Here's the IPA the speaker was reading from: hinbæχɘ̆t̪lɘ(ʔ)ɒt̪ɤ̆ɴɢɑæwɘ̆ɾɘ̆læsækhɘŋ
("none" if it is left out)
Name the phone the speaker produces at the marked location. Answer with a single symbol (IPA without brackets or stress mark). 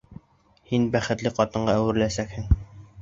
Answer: q